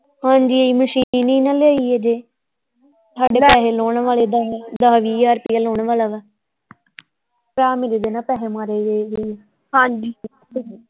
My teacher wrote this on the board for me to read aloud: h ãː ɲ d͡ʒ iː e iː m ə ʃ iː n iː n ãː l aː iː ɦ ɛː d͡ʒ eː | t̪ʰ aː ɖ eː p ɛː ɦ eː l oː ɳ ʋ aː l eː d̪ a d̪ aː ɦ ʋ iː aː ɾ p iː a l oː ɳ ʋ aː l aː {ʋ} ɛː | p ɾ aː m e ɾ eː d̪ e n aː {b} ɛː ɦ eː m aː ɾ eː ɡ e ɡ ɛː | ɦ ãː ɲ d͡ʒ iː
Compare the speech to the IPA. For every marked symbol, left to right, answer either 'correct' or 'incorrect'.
correct, incorrect

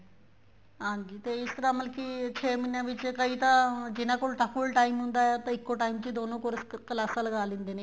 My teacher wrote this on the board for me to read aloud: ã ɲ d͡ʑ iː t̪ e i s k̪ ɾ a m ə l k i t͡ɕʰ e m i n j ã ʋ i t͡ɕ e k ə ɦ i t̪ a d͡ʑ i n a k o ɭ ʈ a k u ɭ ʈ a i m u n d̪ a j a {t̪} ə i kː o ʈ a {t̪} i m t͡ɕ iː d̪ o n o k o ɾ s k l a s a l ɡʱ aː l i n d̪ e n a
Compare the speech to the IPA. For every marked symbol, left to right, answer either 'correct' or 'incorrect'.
correct, incorrect

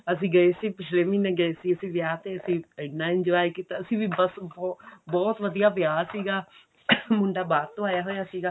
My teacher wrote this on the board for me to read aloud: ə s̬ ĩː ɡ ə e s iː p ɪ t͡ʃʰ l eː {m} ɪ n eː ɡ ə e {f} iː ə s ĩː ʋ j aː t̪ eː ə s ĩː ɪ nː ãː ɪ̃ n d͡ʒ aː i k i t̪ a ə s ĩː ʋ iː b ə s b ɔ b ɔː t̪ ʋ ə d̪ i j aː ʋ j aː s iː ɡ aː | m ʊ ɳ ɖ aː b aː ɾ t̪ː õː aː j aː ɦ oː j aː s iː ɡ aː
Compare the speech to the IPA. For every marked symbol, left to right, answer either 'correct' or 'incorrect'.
correct, incorrect

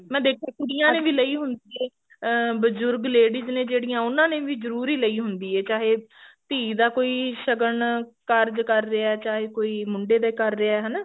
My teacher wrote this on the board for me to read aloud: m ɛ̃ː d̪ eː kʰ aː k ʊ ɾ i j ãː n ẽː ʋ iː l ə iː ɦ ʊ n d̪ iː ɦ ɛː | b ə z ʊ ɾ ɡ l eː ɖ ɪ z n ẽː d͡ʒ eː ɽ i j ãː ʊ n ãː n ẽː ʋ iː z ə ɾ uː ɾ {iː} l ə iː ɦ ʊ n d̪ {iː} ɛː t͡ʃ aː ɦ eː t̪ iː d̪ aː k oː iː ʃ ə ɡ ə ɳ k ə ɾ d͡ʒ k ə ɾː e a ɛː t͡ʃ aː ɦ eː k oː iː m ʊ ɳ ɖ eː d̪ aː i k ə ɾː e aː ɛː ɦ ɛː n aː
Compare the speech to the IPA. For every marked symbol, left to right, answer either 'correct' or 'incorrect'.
correct, correct

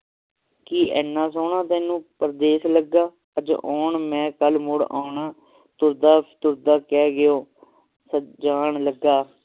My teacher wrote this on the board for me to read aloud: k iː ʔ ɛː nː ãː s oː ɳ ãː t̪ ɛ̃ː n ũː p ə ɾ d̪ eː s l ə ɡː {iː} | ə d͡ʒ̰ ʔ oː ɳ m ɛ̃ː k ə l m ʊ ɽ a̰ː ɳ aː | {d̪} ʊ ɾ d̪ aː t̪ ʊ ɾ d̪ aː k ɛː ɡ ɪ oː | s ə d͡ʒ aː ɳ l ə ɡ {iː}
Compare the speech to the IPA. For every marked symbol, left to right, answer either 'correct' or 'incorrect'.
incorrect, incorrect, incorrect

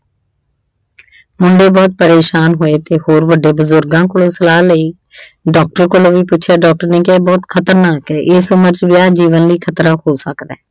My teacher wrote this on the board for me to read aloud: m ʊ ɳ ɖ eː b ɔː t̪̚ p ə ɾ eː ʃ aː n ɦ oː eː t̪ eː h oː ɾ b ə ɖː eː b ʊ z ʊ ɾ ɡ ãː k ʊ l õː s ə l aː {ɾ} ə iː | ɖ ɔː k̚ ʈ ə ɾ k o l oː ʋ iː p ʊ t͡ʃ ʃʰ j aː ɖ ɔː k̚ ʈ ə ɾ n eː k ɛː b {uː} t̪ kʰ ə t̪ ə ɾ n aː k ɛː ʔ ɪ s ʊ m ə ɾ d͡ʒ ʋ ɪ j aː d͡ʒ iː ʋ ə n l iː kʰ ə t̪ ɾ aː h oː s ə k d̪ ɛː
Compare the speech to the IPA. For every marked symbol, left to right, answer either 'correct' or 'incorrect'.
incorrect, incorrect

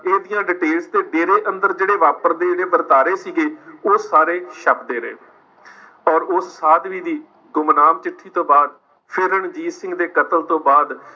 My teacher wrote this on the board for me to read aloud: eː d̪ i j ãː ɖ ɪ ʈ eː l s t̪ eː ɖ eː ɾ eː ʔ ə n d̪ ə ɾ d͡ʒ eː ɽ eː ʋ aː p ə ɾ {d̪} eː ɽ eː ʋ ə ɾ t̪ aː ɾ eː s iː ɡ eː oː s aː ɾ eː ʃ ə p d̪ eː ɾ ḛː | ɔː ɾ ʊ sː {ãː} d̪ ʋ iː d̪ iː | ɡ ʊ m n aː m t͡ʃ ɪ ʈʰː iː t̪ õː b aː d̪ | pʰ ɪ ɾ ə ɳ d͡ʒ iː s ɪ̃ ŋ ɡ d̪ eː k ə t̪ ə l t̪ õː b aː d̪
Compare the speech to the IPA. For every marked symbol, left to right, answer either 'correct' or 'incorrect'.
correct, incorrect

